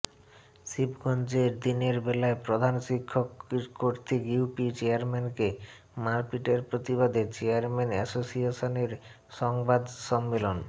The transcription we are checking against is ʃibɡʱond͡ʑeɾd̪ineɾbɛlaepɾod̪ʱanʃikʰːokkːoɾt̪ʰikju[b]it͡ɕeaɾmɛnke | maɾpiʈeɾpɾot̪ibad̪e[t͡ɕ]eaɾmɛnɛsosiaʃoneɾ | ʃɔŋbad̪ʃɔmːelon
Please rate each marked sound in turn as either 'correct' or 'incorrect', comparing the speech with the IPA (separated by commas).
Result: incorrect, correct